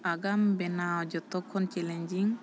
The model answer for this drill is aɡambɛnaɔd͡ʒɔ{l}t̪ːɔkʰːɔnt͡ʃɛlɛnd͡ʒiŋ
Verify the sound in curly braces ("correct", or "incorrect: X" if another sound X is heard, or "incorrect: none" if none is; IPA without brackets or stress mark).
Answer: incorrect: none